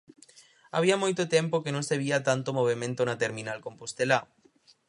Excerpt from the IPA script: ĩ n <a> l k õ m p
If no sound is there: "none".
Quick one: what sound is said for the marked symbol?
a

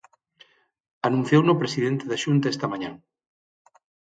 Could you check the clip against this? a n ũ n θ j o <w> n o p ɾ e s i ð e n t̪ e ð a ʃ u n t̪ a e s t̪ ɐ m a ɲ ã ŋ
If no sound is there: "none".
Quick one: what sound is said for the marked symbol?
w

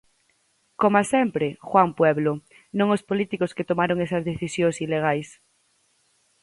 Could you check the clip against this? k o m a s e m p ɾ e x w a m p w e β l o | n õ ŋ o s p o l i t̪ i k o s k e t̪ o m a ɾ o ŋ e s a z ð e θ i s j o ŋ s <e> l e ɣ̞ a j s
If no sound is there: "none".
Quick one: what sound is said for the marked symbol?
i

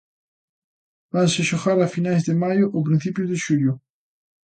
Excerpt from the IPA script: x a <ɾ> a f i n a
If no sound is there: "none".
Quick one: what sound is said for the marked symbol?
ɾ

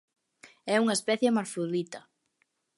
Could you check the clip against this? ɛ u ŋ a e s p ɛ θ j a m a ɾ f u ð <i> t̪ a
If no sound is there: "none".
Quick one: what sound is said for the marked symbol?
i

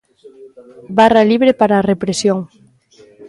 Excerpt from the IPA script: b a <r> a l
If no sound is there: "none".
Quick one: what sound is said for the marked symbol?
r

